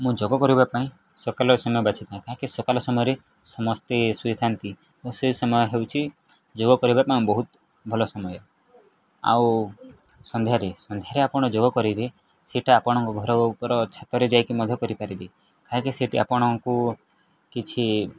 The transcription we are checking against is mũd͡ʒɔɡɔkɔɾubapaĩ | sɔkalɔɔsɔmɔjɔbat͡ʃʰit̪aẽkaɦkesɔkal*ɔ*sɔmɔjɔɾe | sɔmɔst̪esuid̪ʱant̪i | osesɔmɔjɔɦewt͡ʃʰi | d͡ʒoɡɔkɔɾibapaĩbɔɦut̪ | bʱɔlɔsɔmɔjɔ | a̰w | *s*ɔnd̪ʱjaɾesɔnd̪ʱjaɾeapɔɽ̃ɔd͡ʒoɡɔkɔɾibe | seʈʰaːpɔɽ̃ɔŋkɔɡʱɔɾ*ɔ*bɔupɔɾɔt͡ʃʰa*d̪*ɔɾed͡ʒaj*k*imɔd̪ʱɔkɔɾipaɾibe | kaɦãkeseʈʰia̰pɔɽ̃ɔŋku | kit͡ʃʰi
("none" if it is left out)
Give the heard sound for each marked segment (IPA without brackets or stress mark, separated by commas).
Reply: ɔ, s, ɔ, t̪, k